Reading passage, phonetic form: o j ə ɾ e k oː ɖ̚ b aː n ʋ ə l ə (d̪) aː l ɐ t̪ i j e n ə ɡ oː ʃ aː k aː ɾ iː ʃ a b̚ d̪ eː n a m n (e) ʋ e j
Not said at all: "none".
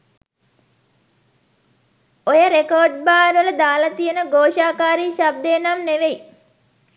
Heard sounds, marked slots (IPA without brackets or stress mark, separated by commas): d̪, e